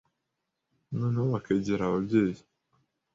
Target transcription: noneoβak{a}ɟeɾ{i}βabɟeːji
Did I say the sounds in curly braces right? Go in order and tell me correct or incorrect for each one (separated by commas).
incorrect, incorrect